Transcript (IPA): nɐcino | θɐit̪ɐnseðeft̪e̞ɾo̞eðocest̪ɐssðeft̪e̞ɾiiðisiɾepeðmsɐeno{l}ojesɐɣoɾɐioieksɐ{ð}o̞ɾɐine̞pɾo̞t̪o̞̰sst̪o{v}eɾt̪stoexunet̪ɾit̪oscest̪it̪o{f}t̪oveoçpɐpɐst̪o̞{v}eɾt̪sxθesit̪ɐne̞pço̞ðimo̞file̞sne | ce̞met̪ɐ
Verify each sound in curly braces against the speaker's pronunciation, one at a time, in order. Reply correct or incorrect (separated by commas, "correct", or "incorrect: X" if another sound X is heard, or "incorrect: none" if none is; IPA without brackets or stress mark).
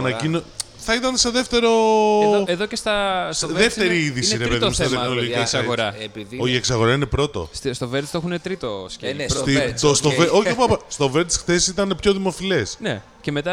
correct, incorrect: ɣ, correct, incorrect: s, correct